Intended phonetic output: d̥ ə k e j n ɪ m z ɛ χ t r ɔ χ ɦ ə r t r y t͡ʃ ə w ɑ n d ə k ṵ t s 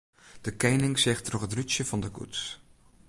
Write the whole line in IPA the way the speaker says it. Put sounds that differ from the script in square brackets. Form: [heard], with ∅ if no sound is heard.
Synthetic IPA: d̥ ə k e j n ɪ [ŋ] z ɛ χ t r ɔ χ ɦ ə [∅] t r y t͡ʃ ə [v] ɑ n d ə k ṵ t s